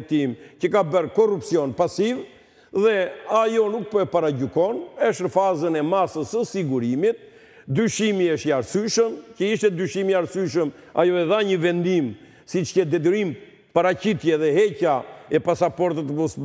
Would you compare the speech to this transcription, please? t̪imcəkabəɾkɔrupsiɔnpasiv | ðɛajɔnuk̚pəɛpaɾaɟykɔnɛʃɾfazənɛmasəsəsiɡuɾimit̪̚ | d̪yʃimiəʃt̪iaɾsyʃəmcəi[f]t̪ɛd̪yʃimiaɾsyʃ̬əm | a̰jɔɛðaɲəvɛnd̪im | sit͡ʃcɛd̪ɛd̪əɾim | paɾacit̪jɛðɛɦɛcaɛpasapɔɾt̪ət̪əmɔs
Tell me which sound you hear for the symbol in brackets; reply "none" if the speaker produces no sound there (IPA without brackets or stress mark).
ʃ